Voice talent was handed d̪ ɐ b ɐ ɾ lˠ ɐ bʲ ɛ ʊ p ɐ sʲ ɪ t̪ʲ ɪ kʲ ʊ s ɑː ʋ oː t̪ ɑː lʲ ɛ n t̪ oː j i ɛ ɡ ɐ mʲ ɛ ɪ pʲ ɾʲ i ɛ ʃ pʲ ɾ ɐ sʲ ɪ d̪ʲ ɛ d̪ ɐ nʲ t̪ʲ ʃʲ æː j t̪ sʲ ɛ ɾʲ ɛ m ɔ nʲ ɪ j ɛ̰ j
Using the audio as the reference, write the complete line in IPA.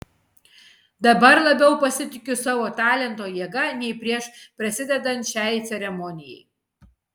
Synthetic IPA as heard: d̪ ɐ b ɐ ɾ lˠ ɐ bʲ ɛ ʊ p ɐ sʲ ɪ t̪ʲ ɪ kʲ ʊ s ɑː ʋ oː t̪ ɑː lʲ ɛ n t̪ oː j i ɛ ɡ ɐ nʲ ɛ ɪ pʲ ɾʲ i ɛ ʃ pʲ ɾ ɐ sʲ ɪ d̪ʲ ɛ d̪ ɐ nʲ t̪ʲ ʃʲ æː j t̪ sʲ ɛ ɾʲ ɛ m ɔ nʲ ɪ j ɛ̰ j